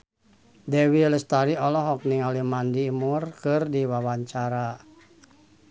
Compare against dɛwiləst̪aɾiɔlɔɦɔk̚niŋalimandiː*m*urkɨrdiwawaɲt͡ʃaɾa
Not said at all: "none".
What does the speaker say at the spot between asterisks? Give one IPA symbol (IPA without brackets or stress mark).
m